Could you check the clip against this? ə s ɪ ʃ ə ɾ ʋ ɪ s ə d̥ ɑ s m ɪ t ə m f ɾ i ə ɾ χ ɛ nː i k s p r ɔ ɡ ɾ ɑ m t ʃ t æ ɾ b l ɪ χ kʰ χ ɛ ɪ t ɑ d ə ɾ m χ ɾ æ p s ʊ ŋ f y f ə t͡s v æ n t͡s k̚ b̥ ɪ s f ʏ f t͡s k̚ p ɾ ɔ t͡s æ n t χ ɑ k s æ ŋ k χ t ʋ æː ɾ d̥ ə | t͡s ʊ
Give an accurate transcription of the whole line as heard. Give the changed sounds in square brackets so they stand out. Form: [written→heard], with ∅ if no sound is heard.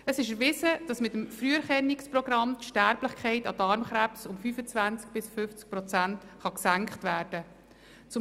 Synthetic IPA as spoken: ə s ɪ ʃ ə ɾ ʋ ɪ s ə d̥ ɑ s m ɪ t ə m f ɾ [i→y] ə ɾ χ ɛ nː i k s p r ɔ ɡ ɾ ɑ m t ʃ t æ ɾ b l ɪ χ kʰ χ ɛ ɪ t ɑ d [ə→ɑ] ɾ m χ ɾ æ p s ʊ [ŋ→m] f y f ə t͡s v æ n t͡s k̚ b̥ ɪ s f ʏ f t͡s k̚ p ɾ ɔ t͡s æ n t χ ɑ k s æ ŋ k χ t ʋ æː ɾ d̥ ə | t͡s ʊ